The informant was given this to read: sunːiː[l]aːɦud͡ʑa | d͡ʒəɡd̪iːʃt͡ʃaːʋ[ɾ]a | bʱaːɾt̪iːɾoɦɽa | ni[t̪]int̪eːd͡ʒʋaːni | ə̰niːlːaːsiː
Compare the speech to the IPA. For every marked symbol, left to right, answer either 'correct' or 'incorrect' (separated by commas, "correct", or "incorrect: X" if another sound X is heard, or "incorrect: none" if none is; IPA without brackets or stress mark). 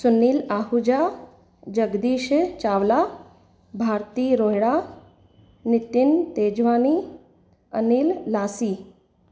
correct, incorrect: l, correct